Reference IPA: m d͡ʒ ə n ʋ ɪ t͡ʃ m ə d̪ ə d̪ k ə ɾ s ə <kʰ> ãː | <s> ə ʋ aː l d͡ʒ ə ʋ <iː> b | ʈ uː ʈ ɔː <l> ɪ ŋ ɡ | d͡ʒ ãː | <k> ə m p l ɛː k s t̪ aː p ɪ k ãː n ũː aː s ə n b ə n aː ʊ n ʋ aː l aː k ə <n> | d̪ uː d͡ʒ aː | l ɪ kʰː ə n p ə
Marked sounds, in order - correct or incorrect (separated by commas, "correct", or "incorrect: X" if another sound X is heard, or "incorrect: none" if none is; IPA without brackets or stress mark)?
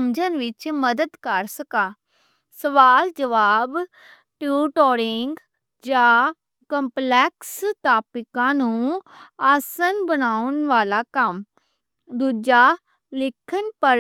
incorrect: k, correct, incorrect: aː, incorrect: ɾ, correct, incorrect: m